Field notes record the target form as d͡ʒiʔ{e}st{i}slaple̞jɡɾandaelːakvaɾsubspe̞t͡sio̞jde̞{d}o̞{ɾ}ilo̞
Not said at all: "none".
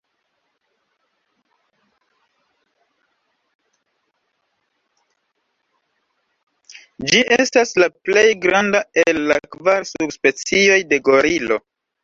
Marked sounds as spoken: e, a, ɡ, ɾ

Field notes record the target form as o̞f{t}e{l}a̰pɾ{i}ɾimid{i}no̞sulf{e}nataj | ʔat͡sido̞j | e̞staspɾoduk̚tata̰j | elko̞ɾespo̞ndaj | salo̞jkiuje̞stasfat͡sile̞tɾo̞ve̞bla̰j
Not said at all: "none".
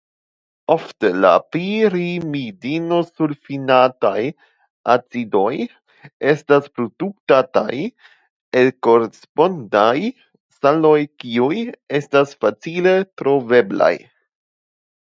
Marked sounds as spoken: t, l, i, i, i

